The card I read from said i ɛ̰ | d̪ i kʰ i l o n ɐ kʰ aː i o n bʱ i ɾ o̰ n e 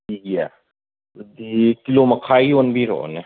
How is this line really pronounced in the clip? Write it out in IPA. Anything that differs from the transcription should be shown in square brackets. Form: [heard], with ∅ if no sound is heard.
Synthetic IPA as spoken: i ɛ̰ | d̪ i [k] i l o [m] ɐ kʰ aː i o n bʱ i ɾ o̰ n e